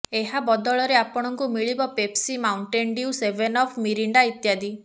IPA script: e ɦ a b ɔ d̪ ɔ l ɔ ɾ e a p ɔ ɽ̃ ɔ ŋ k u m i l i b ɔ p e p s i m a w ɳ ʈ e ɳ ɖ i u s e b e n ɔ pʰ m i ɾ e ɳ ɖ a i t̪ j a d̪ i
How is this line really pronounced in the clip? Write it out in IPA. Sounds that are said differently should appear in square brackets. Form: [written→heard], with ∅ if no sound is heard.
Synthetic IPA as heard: e ɦ a b ɔ d̪ ɔ [l→ɭ] ɔ ɾ e a p ɔ ɽ̃ ɔ ŋ k u m i [l→ɭ] i b ɔ p e p s i m a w ɳ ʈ e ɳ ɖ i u s e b e n ɔ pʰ m i ɾ [e→i] ɳ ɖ a i t̪ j a d̪ i